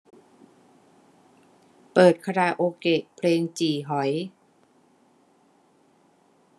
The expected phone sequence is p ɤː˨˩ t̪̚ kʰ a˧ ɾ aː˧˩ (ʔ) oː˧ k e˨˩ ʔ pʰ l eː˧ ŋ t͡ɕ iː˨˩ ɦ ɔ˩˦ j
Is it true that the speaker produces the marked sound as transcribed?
yes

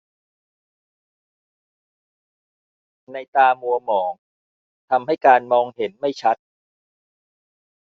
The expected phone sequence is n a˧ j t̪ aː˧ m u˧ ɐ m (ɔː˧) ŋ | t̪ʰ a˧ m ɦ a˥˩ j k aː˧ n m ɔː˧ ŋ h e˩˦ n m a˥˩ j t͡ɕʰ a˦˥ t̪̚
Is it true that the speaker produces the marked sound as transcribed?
no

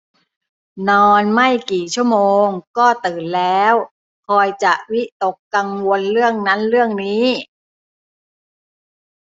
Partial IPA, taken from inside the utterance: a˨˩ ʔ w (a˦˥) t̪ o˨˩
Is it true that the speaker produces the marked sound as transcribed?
no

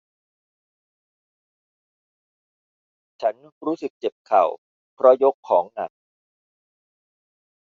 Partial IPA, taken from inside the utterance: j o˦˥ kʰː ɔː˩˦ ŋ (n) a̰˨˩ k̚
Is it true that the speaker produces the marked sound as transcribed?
yes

